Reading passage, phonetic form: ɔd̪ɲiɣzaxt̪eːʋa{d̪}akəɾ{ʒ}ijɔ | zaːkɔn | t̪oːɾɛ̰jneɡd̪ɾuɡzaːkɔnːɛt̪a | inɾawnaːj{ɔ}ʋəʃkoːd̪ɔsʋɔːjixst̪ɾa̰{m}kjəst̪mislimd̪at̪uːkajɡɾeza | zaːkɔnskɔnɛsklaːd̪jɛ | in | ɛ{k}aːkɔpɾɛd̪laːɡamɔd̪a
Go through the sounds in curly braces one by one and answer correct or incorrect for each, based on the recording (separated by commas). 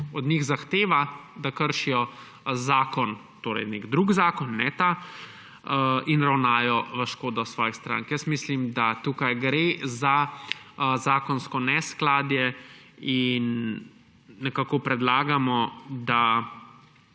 correct, incorrect, correct, incorrect, correct